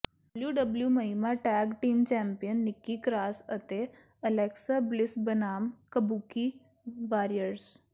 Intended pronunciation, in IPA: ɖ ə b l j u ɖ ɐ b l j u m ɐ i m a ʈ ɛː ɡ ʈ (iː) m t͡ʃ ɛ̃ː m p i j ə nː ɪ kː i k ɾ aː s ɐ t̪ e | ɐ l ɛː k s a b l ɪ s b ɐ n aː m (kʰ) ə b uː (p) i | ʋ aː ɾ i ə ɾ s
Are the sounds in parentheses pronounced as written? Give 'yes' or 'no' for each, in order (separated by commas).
yes, no, no